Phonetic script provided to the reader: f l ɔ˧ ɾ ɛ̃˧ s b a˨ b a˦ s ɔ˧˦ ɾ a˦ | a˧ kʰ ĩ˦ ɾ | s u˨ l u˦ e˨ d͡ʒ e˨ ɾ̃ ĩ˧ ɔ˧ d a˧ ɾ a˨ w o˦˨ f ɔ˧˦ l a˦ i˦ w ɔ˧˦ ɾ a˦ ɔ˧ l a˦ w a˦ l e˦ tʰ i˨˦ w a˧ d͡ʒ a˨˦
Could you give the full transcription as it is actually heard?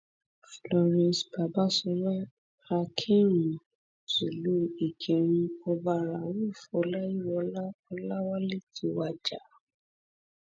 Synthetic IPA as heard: f l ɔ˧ ɾ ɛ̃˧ s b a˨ b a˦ s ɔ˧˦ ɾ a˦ | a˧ kʰ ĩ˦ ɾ | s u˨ l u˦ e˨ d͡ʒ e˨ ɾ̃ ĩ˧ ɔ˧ b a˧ ɾ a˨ w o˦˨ f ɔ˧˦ l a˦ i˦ w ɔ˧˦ l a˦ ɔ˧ l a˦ w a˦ l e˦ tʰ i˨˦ w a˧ d͡ʒ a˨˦